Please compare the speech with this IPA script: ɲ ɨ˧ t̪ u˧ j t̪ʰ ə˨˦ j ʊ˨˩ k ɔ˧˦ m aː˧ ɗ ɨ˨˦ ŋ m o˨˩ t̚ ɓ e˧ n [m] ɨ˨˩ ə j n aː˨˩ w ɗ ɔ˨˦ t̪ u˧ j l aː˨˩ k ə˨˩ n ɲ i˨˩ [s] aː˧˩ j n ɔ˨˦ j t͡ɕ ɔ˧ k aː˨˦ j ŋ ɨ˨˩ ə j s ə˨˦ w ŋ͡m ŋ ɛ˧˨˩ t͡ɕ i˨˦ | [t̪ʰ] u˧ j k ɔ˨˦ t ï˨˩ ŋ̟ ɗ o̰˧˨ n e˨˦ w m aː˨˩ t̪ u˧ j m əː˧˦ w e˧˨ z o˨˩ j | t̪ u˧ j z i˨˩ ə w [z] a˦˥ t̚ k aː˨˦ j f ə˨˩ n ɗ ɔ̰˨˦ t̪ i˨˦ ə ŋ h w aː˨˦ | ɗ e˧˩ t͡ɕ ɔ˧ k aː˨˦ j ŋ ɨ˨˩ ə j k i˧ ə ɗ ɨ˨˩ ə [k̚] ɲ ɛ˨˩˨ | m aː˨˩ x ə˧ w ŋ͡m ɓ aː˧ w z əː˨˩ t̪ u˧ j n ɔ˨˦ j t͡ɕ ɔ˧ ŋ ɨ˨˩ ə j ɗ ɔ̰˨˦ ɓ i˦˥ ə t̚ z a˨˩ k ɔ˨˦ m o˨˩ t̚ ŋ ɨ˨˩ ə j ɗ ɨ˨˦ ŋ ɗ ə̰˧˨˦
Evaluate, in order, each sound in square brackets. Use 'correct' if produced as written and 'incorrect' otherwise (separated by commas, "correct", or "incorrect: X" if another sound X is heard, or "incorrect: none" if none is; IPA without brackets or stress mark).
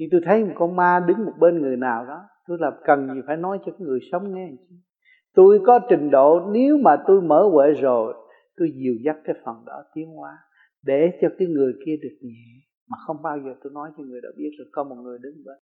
incorrect: ŋ, incorrect: f, incorrect: t̪, correct, correct